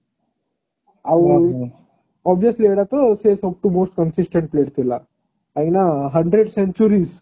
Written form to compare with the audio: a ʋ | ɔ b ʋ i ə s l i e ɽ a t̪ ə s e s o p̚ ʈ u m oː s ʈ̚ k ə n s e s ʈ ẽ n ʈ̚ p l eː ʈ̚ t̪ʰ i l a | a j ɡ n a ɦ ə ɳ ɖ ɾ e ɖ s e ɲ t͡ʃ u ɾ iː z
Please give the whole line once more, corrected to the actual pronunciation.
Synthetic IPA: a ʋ | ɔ b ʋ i ə s l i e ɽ a t̪ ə s e s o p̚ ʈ u m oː s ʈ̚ k ə n s i s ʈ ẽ ɳ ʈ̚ p l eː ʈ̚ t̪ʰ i l a | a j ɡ n a ɦ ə ɳ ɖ ɾ e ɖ s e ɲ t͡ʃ u ɾ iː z